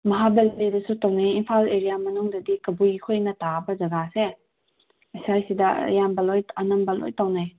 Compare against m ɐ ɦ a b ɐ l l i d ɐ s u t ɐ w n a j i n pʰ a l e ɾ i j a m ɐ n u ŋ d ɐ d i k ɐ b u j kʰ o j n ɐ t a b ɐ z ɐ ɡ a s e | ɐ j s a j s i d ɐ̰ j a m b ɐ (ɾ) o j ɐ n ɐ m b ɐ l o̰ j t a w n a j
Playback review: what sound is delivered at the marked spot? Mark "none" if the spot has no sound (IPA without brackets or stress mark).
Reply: l